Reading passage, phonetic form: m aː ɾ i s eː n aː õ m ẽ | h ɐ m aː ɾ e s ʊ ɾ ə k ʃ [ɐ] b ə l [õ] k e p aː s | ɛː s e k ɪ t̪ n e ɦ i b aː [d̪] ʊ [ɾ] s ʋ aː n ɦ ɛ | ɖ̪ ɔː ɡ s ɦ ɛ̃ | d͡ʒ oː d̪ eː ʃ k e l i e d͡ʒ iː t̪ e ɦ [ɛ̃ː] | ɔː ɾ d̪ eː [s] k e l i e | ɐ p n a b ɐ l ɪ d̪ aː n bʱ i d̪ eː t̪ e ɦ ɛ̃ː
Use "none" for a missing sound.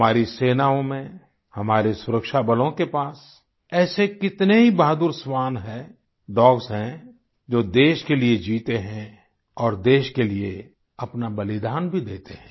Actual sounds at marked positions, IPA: a, õ, d̪, ɾ, ɛ̃, ʃ

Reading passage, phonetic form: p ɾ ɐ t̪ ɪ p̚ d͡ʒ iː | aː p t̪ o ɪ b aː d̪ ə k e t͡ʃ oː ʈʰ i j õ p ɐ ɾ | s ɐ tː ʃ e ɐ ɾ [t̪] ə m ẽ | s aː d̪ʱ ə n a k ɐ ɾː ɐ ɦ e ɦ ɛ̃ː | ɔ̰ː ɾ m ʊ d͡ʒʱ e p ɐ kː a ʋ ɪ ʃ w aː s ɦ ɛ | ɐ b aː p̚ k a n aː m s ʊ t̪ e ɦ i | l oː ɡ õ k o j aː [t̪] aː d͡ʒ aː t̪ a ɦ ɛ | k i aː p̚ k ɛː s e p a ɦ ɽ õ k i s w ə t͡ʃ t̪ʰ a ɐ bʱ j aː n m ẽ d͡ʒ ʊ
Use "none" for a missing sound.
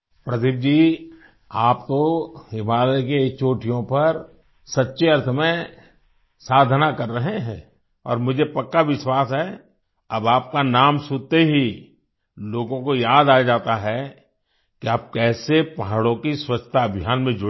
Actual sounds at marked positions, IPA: t̪ʰ, d̪

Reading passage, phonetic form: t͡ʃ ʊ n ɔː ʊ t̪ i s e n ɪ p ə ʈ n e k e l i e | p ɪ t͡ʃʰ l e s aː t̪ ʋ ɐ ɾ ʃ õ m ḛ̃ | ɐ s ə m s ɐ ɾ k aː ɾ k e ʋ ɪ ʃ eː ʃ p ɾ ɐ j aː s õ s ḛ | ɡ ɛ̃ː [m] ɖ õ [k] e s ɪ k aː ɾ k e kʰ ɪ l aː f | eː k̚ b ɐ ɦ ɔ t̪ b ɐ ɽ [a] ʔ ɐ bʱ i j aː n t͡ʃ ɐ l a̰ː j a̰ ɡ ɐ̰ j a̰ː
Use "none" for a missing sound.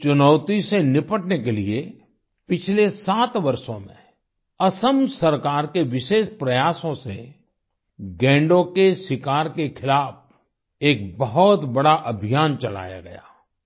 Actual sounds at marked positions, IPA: ɳ, k, a

